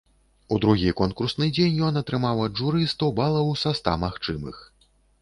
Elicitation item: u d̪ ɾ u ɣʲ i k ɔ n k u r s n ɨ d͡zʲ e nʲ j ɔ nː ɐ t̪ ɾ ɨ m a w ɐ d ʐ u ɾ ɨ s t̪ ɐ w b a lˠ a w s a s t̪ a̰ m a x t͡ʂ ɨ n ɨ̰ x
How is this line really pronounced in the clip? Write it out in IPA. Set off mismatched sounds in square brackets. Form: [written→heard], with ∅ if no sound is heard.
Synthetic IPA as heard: u d̪ ɾ u ɣʲ i k ɔ n k u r s n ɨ d͡zʲ e nʲ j ɔ [nː→n] ɐ t̪ ɾ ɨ m a w ɐ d ʐ u ɾ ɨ s t̪ ɐ w b a lˠ [a→ɐ] w s a s t̪ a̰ m a x t͡ʂ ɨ [n→m] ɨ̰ x